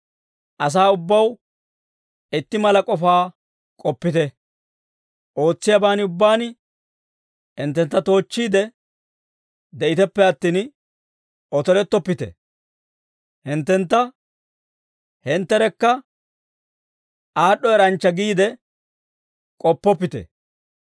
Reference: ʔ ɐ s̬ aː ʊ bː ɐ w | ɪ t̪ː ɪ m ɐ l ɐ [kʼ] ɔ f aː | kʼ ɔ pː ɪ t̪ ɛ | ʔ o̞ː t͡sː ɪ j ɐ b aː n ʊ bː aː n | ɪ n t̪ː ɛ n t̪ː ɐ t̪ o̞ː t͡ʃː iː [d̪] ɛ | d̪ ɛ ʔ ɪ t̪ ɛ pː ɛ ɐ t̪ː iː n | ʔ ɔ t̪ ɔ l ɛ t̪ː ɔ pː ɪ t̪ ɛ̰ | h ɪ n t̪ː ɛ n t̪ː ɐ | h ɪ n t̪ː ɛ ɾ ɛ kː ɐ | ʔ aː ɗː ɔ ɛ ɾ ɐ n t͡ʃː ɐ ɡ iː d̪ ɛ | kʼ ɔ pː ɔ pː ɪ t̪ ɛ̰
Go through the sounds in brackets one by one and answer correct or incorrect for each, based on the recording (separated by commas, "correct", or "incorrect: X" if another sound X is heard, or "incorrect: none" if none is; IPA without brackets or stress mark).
correct, correct